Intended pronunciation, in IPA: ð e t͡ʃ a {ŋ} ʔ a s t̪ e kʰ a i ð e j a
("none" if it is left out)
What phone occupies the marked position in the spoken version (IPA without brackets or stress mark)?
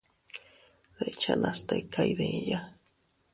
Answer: n